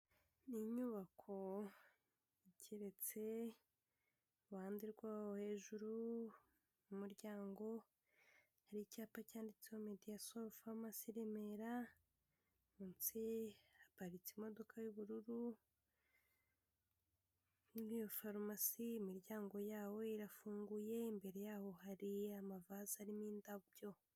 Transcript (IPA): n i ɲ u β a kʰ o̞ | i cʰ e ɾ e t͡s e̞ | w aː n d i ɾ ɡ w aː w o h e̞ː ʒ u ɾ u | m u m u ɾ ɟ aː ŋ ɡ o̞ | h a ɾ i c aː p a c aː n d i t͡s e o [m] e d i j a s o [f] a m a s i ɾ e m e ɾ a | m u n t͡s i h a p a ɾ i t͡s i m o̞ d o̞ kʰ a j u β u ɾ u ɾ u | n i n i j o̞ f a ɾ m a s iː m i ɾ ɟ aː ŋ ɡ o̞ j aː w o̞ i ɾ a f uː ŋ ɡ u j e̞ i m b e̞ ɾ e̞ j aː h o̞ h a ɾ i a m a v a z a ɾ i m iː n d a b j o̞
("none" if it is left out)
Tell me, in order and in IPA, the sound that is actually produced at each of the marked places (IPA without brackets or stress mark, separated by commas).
m, f